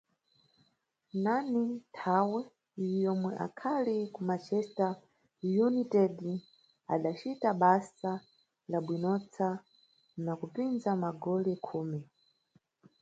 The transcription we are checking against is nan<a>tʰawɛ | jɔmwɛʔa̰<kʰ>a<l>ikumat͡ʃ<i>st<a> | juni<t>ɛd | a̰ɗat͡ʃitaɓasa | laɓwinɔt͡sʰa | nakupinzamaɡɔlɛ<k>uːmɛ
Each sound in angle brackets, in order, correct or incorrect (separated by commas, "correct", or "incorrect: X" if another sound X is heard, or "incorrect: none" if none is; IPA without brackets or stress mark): incorrect: i, correct, correct, incorrect: ɛ, correct, correct, incorrect: kʰ